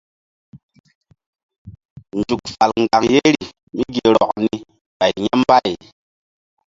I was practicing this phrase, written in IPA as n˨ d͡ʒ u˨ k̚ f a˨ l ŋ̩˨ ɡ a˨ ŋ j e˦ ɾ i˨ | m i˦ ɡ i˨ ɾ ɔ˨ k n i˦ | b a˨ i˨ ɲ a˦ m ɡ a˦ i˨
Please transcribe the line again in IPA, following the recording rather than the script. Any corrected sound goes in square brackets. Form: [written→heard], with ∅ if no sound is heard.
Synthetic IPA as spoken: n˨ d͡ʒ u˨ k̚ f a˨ l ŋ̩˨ ɡ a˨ ŋ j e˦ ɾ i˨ | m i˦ ɡ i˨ ɾ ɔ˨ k n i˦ | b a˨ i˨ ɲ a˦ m [ɡ→b] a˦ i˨